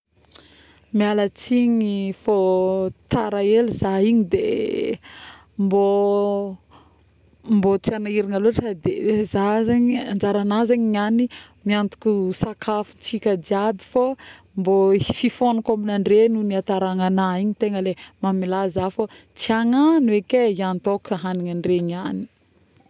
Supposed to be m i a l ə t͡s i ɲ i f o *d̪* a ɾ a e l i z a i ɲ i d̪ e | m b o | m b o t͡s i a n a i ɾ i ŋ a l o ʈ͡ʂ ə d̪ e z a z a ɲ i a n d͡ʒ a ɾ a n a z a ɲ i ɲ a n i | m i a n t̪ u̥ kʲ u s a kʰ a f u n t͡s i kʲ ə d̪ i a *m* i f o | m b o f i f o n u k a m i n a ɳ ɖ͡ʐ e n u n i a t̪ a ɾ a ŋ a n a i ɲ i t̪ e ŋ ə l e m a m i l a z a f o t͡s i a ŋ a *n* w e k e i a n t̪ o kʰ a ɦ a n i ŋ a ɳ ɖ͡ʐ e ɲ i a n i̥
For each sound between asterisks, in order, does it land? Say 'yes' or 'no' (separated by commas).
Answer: no, no, yes